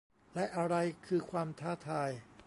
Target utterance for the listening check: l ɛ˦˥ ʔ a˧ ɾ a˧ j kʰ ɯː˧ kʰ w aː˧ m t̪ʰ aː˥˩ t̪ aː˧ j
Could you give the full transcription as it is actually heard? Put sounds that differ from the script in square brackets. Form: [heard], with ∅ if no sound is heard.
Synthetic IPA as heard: l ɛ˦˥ ʔ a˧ ɾ a˧ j kʰ ɯː˧ kʰ w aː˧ m t̪ʰ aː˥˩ [t̪ʰ] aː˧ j